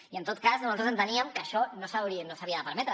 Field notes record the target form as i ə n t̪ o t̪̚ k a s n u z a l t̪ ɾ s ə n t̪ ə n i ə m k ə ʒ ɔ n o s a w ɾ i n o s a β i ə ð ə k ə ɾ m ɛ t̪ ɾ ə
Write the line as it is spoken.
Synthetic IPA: i ə n t̪ o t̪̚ k a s n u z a l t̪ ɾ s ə n t̪ ə n i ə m k ə ʃ ɔ n o s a w ɾ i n o s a β i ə ð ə p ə ɾ m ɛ t̪ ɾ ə